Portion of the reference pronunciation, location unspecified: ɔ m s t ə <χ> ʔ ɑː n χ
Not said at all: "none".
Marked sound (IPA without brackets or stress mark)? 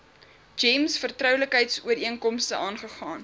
none